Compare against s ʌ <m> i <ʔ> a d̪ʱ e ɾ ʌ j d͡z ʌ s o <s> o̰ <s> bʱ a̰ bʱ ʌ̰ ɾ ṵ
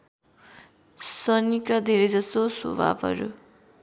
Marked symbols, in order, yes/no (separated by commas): no, no, yes, no